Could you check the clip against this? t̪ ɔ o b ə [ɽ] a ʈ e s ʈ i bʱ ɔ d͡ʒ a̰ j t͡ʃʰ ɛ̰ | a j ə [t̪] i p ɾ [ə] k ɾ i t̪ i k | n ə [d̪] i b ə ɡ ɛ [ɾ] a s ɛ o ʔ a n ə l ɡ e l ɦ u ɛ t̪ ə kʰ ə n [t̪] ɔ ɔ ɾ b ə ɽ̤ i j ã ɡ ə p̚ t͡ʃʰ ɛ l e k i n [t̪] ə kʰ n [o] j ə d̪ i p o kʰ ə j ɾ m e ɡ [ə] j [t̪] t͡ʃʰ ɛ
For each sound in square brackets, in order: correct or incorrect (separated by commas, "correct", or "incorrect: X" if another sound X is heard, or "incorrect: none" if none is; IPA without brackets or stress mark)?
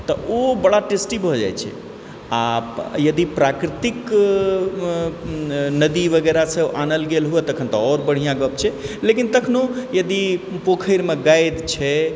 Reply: correct, incorrect: d̪, incorrect: a, correct, correct, correct, correct, correct, incorrect: a, incorrect: d̪